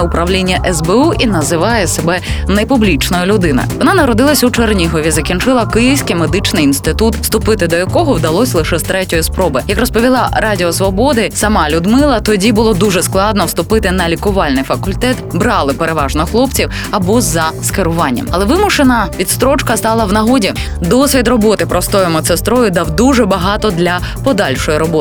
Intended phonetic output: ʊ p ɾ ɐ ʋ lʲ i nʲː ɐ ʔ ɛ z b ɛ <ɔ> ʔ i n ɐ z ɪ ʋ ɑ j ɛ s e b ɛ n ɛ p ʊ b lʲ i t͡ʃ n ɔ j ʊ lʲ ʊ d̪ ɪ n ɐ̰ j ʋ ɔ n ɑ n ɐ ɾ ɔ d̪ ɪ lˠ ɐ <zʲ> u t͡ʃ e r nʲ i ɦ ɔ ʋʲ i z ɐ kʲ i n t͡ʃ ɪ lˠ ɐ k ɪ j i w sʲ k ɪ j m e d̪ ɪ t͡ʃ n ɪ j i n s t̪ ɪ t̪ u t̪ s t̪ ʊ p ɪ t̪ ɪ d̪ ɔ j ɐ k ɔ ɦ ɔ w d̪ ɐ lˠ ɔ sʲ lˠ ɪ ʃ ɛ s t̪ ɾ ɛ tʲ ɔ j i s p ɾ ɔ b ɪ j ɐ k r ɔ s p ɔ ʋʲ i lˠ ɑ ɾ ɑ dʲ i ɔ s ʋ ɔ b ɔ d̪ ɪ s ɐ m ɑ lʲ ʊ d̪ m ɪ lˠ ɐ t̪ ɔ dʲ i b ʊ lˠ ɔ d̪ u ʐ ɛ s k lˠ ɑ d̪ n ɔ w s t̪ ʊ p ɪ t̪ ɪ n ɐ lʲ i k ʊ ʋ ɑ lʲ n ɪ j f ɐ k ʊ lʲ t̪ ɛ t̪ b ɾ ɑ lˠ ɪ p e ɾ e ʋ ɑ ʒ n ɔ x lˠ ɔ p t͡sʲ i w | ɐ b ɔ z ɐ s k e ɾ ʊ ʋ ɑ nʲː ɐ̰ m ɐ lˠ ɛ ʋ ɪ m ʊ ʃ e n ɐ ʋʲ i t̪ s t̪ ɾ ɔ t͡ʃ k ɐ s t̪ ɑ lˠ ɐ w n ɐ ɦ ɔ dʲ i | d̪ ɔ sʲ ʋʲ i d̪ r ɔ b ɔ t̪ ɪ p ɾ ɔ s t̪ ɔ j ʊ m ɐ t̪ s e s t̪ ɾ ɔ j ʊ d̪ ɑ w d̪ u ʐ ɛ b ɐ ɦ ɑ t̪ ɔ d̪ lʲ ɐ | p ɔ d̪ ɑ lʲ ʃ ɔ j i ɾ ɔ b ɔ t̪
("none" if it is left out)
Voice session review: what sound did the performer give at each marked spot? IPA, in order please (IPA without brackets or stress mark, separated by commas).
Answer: u, sʲ